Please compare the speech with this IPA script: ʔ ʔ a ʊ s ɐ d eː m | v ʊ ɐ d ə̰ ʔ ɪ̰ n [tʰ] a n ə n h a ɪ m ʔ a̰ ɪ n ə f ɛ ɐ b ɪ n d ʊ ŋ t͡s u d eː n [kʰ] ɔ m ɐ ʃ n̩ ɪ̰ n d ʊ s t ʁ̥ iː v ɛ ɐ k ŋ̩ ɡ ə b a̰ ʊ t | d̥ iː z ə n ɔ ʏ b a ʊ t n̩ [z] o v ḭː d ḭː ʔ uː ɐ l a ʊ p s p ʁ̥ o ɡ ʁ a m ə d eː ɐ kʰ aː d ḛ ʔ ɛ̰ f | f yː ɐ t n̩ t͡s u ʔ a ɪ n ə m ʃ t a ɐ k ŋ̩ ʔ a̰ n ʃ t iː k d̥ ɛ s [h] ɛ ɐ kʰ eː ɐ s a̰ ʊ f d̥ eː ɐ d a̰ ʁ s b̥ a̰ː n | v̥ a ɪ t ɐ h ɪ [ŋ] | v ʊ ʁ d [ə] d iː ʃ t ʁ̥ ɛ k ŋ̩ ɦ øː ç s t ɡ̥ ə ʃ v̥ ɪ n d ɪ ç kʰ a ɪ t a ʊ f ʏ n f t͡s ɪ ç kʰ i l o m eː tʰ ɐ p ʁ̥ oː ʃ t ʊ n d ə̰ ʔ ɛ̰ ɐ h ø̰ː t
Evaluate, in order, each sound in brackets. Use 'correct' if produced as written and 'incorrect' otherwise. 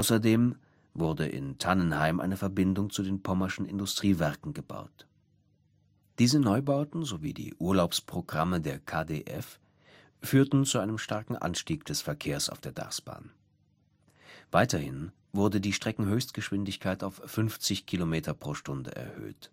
correct, incorrect: pʰ, correct, incorrect: f, incorrect: n, correct

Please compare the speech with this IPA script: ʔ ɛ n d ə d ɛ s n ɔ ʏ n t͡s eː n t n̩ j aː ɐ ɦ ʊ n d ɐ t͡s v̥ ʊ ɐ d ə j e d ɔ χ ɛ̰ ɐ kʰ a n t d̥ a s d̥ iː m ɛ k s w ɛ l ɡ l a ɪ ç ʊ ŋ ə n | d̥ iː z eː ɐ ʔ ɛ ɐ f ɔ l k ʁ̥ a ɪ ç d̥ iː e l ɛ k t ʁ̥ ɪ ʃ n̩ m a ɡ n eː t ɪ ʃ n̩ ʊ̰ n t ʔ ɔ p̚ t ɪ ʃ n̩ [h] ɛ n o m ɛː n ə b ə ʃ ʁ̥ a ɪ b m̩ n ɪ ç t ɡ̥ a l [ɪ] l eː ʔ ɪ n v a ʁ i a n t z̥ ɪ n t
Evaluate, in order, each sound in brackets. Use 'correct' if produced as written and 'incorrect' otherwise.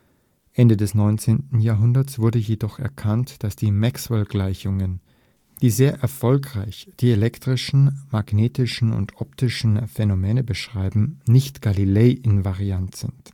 incorrect: f, incorrect: i

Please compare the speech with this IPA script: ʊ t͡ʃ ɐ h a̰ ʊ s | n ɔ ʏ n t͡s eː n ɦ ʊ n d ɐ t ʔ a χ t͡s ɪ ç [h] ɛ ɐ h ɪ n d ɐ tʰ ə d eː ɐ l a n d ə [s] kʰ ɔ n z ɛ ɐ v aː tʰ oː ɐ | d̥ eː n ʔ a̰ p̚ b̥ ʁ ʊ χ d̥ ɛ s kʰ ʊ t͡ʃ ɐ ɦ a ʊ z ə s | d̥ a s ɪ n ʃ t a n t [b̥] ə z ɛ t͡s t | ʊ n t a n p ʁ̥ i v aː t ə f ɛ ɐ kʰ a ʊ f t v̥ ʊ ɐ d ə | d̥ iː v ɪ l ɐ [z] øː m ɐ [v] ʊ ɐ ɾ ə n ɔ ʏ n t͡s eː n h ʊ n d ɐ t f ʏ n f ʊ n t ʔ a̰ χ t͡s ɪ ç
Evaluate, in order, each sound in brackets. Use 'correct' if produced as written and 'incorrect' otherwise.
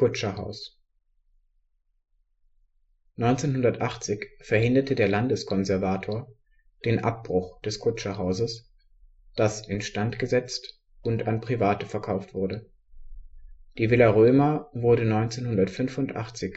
incorrect: f, correct, incorrect: ɡ̥, incorrect: ʁ, correct

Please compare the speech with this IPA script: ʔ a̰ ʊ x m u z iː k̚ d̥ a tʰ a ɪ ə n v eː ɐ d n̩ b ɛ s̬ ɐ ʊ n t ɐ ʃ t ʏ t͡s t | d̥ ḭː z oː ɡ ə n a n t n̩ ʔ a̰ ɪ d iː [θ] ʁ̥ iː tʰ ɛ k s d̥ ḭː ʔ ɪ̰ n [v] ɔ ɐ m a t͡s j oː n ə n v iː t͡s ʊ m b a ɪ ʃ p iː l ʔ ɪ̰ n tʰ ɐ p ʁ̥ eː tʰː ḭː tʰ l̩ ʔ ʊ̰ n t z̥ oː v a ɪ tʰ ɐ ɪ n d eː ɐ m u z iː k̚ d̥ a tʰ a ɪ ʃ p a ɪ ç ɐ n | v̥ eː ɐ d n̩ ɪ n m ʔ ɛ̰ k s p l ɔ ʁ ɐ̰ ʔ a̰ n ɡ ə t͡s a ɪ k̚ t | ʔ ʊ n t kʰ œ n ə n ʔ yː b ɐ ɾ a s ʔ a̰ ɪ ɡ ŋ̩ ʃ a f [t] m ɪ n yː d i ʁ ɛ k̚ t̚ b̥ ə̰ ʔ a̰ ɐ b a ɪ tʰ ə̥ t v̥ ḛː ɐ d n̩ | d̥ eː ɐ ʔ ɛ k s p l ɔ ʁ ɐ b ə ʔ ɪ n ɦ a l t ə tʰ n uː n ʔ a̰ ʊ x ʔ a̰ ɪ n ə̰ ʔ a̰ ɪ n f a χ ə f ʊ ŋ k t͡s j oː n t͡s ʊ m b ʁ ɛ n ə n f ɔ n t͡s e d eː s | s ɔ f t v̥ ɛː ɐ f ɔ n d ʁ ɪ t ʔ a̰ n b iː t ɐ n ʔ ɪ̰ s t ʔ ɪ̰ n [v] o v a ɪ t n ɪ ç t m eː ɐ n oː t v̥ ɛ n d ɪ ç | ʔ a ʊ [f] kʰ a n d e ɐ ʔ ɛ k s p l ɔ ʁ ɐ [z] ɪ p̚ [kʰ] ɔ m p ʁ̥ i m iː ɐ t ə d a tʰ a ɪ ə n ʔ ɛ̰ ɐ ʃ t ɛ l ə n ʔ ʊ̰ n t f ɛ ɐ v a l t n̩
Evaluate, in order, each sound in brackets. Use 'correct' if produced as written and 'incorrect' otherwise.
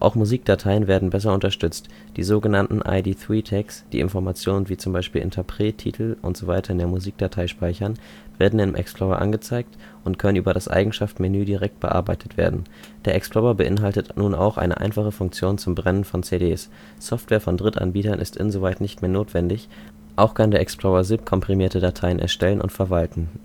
correct, incorrect: f, correct, incorrect: z, incorrect: x, correct, correct

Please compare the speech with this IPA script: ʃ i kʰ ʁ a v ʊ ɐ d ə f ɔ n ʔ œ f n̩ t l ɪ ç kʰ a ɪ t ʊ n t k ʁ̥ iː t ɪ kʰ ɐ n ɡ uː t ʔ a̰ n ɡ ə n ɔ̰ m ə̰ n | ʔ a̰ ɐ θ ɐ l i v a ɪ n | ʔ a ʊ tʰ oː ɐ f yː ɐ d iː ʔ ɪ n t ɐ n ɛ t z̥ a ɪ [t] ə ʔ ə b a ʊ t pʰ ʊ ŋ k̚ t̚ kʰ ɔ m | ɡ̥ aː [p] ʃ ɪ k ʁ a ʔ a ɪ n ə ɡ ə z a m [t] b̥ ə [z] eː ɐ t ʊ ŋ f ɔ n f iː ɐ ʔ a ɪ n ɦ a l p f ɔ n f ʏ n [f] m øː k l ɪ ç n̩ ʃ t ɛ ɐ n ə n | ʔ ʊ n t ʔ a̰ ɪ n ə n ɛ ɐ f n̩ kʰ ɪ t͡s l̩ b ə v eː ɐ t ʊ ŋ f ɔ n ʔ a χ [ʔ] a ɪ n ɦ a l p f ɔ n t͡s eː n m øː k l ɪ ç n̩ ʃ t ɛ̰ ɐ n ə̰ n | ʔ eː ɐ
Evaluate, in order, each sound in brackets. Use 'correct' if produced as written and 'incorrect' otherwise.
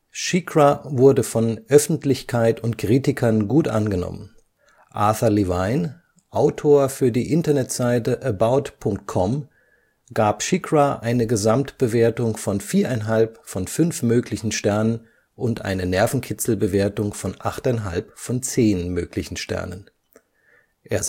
correct, correct, correct, incorrect: v, correct, incorrect: t

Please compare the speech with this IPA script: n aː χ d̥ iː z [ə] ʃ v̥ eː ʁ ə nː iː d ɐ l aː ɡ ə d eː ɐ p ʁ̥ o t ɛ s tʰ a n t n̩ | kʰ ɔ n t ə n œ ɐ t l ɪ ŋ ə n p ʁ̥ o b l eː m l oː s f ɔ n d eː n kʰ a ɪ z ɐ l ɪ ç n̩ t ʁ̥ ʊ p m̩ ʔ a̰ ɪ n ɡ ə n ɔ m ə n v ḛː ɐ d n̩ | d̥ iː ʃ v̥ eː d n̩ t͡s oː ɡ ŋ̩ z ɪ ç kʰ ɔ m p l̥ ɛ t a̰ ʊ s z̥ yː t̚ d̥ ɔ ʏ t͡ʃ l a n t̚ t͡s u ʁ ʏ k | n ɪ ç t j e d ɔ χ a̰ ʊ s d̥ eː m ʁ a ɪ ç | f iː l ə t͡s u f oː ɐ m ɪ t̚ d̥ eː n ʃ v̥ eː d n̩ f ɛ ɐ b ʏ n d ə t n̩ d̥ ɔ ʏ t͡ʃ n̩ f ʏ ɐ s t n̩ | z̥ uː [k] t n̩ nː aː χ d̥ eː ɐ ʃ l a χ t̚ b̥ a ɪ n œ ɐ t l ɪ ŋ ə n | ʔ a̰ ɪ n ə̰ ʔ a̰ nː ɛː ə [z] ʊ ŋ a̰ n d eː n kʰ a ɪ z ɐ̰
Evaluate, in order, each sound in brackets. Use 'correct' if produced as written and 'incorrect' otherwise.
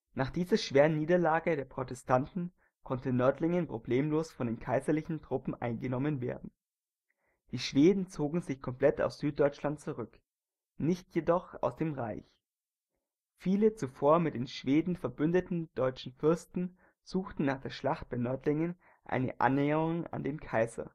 incorrect: ɐ, incorrect: x, incorrect: ʁ

